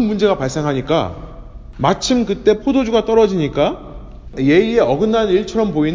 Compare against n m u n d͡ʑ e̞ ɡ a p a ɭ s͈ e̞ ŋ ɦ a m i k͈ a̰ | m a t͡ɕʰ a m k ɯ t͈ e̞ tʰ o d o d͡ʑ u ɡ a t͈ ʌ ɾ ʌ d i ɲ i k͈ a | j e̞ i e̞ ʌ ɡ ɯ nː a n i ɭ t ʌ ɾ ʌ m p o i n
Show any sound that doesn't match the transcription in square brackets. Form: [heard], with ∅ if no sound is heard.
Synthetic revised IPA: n m u n d͡ʑ e̞ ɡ a p a ɭ s͈ e̞ ŋ ɦ a [ɲ] i k͈ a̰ | m a t͡ɕʰ [i] m k ɯ t͈ e̞ [pʰ] o d o d͡ʑ u ɡ a t͈ ʌ ɾ ʌ [d͡ʑ] i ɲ i k͈ a | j e̞ i e̞ ʌ ɡ ɯ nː a n i ɭ [t͡ɕʰ] ʌ ɾ ʌ m p o i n